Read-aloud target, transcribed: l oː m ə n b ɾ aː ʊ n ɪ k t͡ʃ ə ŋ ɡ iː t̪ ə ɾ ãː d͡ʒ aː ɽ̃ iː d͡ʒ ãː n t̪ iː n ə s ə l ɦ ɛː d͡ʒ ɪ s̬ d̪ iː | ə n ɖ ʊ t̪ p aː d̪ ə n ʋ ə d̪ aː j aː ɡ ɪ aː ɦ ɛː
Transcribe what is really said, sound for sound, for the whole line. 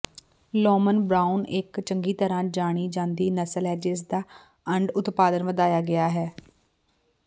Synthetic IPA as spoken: l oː m ə n b ɾ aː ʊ n ɪ k t͡ʃ ə ŋ ɡ iː t̪ ə ɾ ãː d͡ʒ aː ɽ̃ iː d͡ʒ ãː n d̪ iː n ə s ə l ɦ ɛː d͡ʒ ɪ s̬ d̪ aː | ə ɳ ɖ ʊ t̪ p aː d̪ ə n ʋ ə d̪ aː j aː ɡ ɪ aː ɦ ɛː